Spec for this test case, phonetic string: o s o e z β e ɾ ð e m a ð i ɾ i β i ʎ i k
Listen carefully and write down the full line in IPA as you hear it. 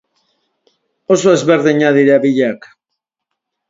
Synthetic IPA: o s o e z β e ɾ ð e ɲ a ð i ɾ a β i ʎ a k